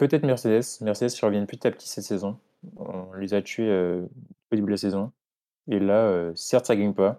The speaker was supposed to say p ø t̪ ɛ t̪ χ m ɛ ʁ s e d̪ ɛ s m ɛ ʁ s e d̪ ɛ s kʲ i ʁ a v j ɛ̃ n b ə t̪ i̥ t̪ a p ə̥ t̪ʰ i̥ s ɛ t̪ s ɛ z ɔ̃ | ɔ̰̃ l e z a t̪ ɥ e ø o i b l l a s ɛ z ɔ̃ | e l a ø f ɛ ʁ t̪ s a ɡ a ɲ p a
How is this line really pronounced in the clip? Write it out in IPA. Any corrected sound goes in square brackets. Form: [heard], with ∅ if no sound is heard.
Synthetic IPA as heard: p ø t̪ ɛ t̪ χ m ɛ ʁ s e d̪ ɛ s m ɛ ʁ s e d̪ ɛ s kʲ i ʁ [ə] v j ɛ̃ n [p] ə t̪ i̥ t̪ a p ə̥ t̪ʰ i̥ s ɛ t̪ s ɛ z ɔ̃ | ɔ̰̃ l e z a t̪ ɥ e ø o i b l l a s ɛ z ɔ̃ | e l a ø [s] ɛ ʁ t̪ s a ɡ a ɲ p a